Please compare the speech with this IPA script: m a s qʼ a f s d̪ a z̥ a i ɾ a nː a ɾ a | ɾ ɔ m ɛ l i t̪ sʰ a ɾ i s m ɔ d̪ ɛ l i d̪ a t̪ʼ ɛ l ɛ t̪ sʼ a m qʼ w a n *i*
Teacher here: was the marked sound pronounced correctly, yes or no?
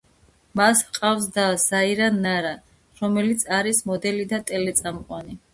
yes